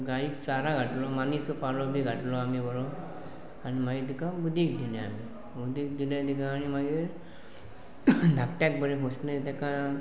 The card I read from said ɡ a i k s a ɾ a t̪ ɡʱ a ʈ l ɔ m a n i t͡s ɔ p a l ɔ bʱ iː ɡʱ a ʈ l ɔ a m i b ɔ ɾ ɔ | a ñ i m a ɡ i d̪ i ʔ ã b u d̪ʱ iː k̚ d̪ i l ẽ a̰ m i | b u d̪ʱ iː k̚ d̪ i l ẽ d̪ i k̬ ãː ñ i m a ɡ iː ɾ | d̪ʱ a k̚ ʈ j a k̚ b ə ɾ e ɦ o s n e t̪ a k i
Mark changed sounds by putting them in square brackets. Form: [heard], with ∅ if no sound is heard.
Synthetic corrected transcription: ɡ a i k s a ɾ a [∅] ɡʱ a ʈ l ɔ m a n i t͡s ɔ p a l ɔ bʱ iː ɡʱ a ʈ l ɔ a m i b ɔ ɾ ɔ | a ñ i m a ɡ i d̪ i [k] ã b u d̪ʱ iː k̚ d̪ i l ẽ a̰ m i | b u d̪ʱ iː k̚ d̪ i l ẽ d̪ i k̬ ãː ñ i m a ɡ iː ɾ | d̪ʱ a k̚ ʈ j a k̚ b ə ɾ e ɦ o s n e t̪ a k [a]